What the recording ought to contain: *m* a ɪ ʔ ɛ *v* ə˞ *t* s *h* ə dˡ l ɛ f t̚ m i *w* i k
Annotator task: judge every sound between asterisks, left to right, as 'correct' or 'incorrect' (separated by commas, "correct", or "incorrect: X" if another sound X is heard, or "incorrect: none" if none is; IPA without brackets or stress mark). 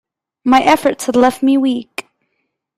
correct, incorrect: f, correct, correct, correct